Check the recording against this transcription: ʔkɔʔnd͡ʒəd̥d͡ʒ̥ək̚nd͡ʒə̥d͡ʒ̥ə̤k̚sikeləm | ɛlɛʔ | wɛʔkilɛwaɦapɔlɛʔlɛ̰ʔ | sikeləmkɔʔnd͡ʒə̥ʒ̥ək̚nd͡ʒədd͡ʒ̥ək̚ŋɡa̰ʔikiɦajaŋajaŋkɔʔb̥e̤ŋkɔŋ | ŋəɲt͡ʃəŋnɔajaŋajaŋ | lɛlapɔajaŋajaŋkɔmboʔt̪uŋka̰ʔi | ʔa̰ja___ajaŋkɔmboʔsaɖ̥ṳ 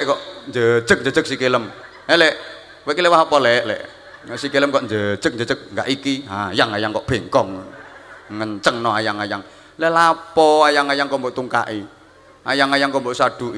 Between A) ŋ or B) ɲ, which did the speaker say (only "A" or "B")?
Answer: A